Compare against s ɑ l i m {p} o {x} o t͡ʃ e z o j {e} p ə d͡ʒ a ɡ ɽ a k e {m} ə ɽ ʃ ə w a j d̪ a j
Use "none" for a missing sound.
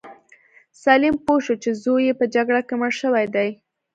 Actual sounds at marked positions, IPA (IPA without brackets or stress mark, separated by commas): p, ʃ, e, m